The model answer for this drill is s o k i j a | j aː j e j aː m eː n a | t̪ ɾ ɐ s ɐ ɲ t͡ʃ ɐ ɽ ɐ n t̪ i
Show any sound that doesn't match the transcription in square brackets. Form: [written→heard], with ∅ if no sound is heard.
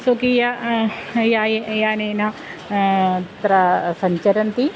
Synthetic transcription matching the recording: s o k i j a | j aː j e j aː [m→n] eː n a | t̪ ɾ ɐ s ɐ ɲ t͡ʃ ɐ [ɽ→ɾ] ɐ n t̪ i